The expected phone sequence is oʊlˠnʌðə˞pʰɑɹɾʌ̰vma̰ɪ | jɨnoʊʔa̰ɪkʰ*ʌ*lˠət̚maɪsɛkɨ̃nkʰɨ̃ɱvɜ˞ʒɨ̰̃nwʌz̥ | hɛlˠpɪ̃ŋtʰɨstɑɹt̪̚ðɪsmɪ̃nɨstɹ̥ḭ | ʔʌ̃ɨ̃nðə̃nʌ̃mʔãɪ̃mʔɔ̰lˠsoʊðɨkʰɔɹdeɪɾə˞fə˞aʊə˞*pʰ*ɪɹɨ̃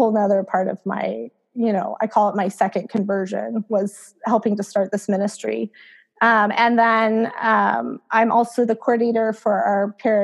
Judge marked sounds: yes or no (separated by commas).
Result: no, yes